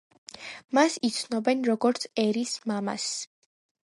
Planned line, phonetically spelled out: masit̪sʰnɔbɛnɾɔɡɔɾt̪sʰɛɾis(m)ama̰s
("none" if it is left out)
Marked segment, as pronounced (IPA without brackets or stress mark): m